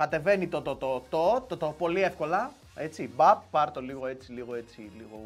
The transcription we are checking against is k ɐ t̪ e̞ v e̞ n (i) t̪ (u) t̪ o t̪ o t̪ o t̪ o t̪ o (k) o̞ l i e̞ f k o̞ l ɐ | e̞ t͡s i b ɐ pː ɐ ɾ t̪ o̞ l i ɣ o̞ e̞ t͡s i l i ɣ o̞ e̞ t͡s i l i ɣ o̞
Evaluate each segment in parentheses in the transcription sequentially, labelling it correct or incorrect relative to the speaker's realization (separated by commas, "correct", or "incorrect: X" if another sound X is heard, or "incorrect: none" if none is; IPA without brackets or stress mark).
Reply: correct, incorrect: o, incorrect: p